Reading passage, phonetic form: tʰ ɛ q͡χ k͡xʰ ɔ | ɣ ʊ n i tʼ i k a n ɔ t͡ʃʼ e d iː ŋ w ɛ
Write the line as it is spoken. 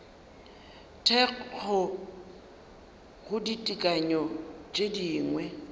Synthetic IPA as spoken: tʰ ɛ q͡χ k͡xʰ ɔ | ɣ ʊ d i tʼ i kʼ a ɲ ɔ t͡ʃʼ e d iː ŋ w ɛ

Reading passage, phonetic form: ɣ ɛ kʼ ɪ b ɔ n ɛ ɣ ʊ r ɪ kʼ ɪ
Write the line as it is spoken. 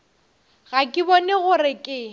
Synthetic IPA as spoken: ɣ a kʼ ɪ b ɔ n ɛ ɣ ʊ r ɪ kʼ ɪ

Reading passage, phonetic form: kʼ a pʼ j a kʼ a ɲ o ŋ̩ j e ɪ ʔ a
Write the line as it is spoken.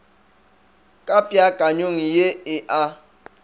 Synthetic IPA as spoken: kʼ a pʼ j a kʼ a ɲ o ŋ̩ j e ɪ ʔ a

